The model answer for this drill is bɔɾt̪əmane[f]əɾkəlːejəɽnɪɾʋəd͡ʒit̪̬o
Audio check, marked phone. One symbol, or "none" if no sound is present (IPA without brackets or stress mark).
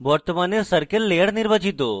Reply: s